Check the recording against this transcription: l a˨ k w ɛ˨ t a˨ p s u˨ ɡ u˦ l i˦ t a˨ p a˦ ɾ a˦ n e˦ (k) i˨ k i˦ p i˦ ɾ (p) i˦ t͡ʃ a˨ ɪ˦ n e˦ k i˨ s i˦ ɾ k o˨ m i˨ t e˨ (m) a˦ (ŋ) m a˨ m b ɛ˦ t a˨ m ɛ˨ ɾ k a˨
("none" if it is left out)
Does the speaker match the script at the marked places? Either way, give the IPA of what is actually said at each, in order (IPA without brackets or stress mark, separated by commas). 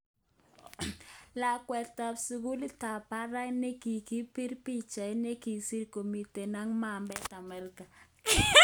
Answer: k, p, n, ŋ